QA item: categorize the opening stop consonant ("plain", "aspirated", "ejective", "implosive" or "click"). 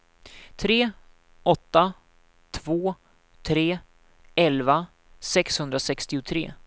aspirated